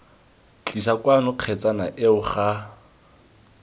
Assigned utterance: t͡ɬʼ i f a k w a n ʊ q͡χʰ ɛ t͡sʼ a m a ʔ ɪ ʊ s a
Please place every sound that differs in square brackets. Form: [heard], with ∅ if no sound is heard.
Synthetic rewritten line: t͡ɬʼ i [s] a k w a n ʊ q͡χʰ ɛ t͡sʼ a [n] a ʔ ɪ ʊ [χ] a